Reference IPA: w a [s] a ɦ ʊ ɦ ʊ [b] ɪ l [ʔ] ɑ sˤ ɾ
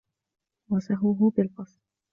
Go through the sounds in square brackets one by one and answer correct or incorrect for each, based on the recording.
correct, correct, incorrect

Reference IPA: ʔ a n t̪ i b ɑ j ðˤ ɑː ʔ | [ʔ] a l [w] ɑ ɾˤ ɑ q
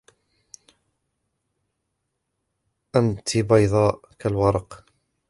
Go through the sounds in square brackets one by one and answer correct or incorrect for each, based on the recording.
incorrect, correct

